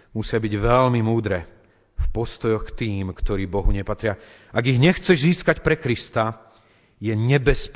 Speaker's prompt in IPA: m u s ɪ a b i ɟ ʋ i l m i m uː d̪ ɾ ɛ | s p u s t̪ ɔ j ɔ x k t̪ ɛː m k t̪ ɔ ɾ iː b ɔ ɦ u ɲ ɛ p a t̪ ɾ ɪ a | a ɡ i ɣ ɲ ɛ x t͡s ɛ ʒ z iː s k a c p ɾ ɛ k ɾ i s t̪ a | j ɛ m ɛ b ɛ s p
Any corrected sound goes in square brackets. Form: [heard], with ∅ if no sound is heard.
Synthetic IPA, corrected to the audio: m u s ɪ a b i ɟ ʋ [ɛ] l m i m uː d̪ ɾ ɛ | [f] p [ɔ] s t̪ ɔ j ɔ x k t̪ [iː] m k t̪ ɔ ɾ iː b ɔ ɦ u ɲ ɛ p a t̪ ɾ ɪ a | a ɡ i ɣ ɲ ɛ x t͡s ɛ ʒ z iː s k a c p ɾ ɛ k ɾ i s t̪ a | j ɛ [ɲ] ɛ b ɛ s p